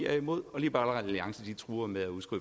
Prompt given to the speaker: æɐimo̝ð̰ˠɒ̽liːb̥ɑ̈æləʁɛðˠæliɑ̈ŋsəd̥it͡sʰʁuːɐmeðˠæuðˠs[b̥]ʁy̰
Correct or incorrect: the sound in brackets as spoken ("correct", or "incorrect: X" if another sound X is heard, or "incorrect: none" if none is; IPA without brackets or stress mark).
incorrect: ɡ̥